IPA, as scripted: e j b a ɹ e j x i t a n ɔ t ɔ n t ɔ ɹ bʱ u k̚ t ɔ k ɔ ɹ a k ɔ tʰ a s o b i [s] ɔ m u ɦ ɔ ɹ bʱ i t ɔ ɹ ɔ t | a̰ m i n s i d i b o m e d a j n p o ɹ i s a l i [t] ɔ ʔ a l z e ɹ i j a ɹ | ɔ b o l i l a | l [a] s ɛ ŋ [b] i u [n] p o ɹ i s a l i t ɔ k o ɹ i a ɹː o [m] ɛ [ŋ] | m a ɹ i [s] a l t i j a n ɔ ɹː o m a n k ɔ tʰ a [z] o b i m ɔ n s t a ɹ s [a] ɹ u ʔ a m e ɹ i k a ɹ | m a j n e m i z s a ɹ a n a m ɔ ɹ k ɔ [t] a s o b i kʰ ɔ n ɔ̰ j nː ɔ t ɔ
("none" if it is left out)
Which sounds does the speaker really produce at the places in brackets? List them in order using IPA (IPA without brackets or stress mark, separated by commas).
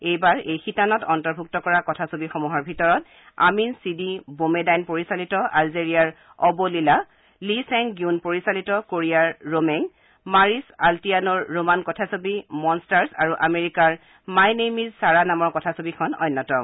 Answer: x, t, i, ɡ, n, m, ŋ, s, s, a, tʰ